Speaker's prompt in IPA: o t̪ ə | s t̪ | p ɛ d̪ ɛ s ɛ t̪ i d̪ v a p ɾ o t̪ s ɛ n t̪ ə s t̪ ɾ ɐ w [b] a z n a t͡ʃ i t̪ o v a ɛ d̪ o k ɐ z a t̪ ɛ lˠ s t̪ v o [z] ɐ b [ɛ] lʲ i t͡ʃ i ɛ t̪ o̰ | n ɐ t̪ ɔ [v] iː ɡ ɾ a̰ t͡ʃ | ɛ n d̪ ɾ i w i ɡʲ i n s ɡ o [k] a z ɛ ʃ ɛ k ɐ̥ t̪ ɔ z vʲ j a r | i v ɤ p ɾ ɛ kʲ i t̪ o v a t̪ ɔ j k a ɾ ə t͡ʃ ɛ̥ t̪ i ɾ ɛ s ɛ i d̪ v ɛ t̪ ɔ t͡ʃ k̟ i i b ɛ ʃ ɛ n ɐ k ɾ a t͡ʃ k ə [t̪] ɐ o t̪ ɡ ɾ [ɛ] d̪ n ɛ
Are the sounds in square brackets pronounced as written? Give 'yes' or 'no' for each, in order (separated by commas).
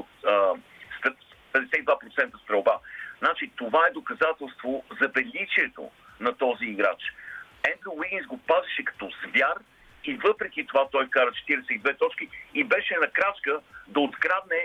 yes, yes, yes, no, no, no, no